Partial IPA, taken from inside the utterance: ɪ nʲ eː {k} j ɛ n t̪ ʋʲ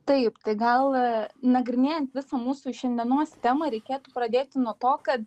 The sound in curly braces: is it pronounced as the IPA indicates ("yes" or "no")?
no